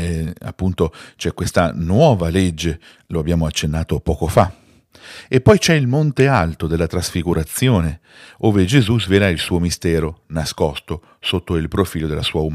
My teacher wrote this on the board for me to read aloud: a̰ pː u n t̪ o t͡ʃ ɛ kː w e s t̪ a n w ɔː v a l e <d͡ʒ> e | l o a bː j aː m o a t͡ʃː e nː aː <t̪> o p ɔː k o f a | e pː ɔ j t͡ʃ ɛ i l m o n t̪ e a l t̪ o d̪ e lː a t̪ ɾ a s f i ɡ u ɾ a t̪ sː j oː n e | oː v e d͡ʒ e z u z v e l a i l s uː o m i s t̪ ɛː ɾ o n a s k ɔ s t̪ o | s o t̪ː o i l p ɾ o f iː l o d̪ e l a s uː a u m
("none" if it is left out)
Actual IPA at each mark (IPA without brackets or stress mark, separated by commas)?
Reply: d͡ʒː, t̪